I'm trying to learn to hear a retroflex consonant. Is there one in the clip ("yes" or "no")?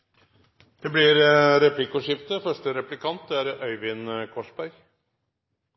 yes